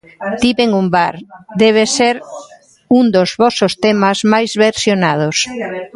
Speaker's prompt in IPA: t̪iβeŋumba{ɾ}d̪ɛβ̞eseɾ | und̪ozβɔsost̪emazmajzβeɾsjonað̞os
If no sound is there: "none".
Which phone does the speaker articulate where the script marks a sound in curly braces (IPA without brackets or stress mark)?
ɾ